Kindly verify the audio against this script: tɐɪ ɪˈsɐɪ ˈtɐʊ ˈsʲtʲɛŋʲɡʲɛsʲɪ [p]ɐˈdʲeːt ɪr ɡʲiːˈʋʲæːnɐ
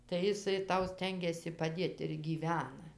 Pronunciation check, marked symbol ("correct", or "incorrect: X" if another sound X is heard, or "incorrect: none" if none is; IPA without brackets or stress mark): correct